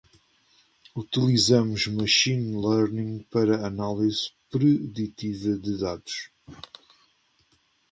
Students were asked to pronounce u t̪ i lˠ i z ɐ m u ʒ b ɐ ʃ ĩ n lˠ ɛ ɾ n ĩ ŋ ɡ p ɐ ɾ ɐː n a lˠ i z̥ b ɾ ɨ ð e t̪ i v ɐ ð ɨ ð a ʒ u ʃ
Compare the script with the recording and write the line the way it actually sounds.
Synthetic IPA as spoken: u t̪ i lˠ i z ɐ m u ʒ m ɐ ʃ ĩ n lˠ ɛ ɾ n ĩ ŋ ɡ p ɐ ɾ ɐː n a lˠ i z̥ p ɾ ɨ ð i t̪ i v ɐ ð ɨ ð a ð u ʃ